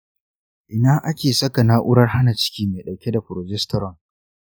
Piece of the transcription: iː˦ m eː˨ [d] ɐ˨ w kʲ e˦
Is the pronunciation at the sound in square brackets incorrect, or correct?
incorrect: ɗ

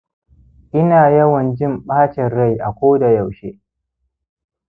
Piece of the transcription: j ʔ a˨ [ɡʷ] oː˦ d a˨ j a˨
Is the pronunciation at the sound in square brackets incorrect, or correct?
incorrect: kʷ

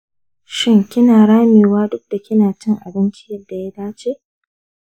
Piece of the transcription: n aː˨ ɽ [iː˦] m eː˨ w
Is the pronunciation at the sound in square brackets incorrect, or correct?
incorrect: aː˦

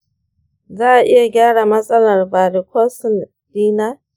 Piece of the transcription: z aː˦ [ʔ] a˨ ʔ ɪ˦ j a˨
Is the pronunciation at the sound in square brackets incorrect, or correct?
correct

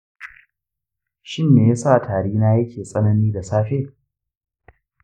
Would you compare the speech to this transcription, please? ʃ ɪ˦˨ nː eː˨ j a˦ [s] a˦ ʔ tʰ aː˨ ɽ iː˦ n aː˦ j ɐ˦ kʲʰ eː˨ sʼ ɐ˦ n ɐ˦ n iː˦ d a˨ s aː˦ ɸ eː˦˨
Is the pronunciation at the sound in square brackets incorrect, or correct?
correct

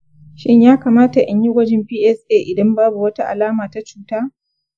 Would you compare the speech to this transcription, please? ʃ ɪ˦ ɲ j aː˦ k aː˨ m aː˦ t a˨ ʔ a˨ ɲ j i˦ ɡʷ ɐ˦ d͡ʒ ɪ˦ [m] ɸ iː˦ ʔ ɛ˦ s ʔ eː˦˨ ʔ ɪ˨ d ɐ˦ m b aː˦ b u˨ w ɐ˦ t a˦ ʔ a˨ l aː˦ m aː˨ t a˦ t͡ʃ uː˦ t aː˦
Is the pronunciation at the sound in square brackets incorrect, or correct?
correct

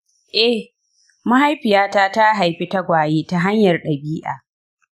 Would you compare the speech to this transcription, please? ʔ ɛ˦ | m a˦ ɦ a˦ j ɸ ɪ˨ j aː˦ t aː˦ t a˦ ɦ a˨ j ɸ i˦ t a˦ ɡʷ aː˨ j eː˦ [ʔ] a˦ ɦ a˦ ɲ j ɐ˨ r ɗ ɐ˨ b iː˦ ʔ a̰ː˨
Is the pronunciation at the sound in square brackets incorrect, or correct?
incorrect: t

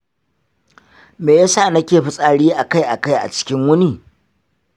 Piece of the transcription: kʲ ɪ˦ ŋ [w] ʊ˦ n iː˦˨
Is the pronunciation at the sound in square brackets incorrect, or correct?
correct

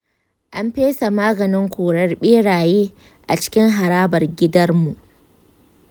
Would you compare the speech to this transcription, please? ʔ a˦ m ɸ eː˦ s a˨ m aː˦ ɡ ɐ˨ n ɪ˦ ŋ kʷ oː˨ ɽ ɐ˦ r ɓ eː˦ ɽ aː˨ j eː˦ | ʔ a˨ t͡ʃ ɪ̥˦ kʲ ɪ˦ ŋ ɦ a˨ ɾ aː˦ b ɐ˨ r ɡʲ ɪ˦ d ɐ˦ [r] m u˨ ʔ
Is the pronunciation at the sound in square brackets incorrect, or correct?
correct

